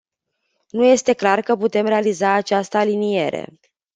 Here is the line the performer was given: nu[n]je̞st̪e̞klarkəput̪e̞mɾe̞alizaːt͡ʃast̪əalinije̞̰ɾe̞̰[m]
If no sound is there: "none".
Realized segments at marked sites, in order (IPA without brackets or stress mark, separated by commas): none, none